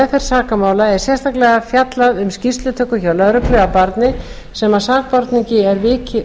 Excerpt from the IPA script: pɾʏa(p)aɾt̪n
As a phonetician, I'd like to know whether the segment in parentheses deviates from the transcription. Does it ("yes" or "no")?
no